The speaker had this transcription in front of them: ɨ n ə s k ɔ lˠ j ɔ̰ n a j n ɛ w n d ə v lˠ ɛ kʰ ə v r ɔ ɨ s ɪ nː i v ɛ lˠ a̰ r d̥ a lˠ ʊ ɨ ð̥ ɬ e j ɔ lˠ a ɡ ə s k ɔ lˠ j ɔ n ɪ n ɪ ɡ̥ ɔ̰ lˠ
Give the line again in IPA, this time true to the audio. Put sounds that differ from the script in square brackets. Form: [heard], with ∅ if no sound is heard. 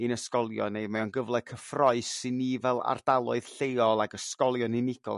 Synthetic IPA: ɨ n ə s k ɔ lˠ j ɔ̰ n [e] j [m] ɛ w n [ɡ] ə v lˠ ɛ kʰ ə [f] r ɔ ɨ s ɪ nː i v ɛ lˠ a̰ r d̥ a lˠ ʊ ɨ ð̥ ɬ e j ɔ lˠ a ɡ ə s k ɔ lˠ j ɔ n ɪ n ɪ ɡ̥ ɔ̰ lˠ